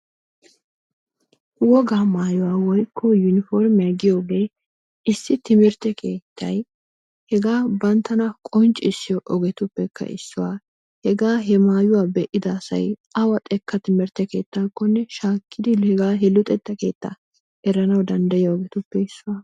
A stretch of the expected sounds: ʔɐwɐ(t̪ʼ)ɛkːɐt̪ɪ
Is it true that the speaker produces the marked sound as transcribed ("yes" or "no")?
yes